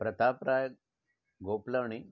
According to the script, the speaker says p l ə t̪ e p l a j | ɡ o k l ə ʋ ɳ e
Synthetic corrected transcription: p ɾ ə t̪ a p ɾ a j | ɡ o p l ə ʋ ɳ i